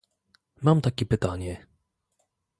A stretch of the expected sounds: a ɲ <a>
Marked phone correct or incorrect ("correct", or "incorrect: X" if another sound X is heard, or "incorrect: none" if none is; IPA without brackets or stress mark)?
incorrect: ɛ